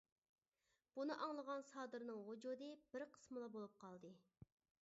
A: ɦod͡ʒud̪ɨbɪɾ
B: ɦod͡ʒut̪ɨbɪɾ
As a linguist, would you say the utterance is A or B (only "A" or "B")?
A